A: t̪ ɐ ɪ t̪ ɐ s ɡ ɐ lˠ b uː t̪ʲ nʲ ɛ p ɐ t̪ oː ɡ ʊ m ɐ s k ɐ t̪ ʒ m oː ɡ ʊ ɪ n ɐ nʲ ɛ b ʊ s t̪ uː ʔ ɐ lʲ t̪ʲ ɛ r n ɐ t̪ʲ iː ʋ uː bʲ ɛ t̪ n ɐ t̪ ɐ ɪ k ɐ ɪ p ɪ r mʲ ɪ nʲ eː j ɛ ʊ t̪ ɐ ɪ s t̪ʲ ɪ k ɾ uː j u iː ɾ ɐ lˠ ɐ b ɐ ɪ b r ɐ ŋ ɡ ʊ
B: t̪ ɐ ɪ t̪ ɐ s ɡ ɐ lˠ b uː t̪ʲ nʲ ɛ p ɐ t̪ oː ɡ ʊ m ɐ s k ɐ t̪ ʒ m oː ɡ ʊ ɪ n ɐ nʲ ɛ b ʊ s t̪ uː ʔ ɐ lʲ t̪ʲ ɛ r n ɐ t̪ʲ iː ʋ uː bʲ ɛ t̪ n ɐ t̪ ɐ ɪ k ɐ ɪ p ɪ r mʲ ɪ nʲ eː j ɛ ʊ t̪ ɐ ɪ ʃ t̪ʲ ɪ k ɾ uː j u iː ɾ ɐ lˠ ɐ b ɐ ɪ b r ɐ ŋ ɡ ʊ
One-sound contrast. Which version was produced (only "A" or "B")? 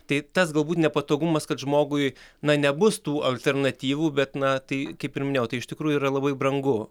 B